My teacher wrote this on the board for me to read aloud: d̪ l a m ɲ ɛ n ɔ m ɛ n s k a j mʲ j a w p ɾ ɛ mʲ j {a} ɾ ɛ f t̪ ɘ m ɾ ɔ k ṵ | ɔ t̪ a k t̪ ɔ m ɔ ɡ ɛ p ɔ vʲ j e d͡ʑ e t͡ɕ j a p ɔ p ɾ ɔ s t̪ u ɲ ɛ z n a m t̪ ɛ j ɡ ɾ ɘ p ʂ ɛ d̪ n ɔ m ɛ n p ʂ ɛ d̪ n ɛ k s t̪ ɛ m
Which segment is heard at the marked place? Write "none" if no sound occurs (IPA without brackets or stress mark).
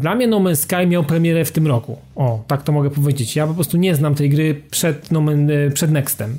ɛ